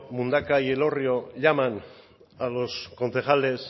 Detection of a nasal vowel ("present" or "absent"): absent